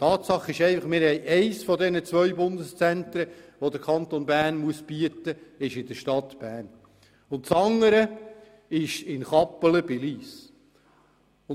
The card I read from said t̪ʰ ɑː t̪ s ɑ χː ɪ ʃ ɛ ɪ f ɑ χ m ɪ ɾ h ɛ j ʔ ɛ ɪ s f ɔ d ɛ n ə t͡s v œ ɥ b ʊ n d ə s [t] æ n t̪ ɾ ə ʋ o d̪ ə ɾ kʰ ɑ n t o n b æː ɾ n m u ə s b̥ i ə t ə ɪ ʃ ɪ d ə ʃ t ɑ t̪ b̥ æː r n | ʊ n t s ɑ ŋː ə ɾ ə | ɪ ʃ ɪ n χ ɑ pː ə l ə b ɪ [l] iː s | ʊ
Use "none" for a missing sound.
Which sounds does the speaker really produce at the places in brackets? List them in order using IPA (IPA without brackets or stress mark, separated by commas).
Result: t͡s, l